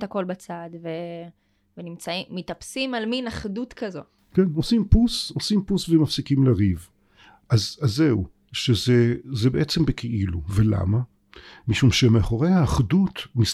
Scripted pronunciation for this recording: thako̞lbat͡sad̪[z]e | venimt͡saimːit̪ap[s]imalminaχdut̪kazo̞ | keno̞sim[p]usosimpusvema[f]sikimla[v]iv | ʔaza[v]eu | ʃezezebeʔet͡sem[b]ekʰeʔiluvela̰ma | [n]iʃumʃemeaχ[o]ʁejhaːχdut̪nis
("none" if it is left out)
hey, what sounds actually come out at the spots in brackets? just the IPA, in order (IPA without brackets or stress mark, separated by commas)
v, s, p, f, ʁ, z, b, m, o